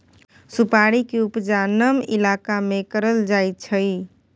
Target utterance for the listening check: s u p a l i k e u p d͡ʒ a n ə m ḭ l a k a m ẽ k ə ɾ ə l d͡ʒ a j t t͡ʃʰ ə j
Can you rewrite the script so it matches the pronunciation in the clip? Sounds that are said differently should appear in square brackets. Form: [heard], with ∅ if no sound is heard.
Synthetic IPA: s u p a [ɽ] i k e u p d͡ʒ a n ə m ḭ l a k a m [e] k ə ɾ ə l d͡ʒ a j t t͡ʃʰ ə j